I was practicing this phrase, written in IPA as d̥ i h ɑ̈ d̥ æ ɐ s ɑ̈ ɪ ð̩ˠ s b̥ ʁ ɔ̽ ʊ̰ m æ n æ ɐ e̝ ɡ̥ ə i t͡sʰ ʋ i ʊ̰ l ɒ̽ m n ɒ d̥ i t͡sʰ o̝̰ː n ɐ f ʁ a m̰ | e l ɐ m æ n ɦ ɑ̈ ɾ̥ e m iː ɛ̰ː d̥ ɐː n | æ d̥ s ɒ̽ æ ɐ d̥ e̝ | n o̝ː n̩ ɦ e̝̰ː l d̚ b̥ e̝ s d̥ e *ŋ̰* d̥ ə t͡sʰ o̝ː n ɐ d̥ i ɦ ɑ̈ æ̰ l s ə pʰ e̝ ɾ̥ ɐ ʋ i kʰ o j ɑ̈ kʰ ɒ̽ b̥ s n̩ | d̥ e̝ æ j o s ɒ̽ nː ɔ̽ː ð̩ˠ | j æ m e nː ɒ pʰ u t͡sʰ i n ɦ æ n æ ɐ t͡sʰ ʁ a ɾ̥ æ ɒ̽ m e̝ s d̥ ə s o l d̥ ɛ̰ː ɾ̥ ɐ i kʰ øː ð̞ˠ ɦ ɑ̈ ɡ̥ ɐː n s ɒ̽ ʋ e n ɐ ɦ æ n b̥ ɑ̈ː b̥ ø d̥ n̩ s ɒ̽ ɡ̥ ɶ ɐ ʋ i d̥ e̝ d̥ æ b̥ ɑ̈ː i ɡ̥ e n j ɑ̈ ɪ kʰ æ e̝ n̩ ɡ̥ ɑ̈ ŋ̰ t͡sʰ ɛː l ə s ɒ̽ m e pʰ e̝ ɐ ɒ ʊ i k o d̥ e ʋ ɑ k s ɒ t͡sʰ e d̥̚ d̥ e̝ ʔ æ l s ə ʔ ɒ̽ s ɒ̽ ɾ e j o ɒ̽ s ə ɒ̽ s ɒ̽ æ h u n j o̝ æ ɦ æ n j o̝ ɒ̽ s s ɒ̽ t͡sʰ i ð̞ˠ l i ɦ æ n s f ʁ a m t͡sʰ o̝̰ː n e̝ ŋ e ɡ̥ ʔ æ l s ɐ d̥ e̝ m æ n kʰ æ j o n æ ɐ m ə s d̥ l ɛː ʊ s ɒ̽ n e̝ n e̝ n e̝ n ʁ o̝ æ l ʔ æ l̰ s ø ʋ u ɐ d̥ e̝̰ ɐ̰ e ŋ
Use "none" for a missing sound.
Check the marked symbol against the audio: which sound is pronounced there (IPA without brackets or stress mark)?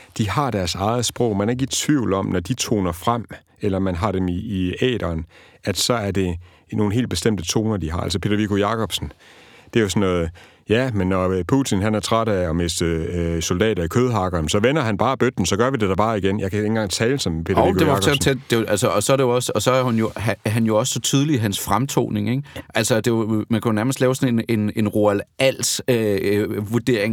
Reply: m̰